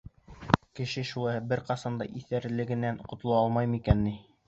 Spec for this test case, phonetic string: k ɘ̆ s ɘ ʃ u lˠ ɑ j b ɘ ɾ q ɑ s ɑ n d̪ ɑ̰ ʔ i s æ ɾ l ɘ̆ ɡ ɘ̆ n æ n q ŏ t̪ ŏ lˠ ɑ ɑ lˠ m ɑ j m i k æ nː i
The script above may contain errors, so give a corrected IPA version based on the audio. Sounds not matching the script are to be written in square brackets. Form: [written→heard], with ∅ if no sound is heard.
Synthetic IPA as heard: k ɘ̆ [s→ʃ] ɘ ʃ u lˠ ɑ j b ɘ ɾ q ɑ s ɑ n d̪ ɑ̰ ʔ i [s→θ] æ ɾ l ɘ̆ ɡ ɘ̆ n æ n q ŏ t̪ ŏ lˠ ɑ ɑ lˠ m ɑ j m i k æ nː i